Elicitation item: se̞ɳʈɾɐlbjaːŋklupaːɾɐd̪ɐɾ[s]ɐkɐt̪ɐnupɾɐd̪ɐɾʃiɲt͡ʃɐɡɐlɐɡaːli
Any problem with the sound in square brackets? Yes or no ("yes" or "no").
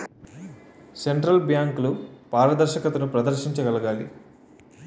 yes